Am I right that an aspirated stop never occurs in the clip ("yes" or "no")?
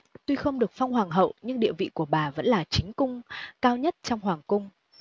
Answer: yes